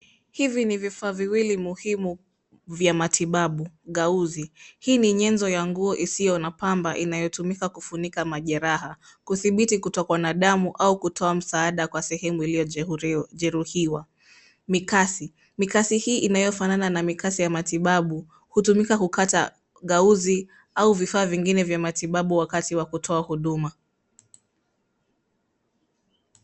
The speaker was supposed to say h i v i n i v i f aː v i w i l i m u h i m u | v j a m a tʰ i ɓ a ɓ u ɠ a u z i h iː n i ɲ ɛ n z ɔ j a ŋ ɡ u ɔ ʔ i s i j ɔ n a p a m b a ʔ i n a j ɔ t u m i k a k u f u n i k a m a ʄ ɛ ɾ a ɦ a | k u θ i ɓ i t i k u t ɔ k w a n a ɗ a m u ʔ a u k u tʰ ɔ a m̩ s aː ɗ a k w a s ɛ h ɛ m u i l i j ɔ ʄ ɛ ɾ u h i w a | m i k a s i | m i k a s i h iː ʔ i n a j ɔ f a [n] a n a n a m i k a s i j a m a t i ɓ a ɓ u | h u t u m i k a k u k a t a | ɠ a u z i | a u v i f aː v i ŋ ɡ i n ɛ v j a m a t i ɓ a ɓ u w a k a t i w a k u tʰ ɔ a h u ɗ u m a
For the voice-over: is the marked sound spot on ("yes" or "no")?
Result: yes